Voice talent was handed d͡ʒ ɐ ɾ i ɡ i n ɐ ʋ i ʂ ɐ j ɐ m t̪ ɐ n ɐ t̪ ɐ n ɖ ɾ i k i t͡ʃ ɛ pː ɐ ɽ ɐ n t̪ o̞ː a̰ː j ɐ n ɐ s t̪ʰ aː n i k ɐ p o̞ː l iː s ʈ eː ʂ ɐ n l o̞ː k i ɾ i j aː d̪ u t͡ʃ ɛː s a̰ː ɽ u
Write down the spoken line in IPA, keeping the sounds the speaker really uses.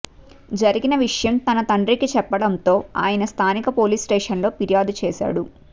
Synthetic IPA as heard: d͡ʒ ɐ ɾ i ɡ i n ɐ ʋ i ʂ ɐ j ɐ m t̪ ɐ n ɐ t̪ ɐ ɳ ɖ ɾ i k i t͡ʃ ɛ pː ɐ ɽ ɐ n t̪ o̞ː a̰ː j ɐ n ɐ s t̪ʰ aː n i k ɐ p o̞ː l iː s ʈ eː ʂ ɐ n l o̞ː p i ɾ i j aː d̪ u t͡ʃ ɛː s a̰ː ɽ u